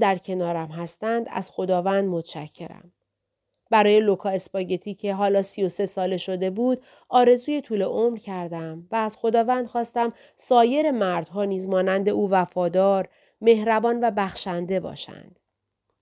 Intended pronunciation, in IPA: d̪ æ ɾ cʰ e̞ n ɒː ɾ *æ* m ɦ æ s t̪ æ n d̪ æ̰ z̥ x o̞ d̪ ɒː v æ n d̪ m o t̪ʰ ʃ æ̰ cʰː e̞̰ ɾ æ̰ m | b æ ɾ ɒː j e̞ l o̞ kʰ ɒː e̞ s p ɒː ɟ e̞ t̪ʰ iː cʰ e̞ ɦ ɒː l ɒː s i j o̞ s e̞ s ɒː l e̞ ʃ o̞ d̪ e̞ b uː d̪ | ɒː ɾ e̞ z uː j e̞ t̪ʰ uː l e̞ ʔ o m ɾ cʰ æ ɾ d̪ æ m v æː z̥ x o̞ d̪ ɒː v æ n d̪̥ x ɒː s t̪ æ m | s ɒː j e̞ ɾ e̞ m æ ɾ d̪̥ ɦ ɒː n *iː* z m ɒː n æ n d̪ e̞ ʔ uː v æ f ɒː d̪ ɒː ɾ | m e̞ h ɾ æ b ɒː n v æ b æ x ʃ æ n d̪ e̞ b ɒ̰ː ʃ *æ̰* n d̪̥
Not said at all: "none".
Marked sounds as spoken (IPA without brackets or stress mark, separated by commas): æ, iː, æ̰